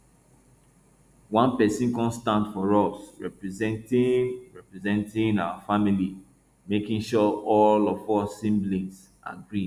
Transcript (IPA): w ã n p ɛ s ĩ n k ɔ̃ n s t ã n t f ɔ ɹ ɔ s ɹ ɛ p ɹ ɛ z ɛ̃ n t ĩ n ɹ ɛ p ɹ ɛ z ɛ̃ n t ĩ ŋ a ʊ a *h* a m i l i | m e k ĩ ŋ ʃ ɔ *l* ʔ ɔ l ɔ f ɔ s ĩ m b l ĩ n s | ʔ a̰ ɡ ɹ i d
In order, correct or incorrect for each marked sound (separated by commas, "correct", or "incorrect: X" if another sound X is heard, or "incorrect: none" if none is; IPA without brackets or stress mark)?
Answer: incorrect: f, incorrect: none